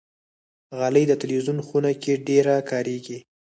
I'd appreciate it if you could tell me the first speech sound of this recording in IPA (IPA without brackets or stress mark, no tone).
ɣ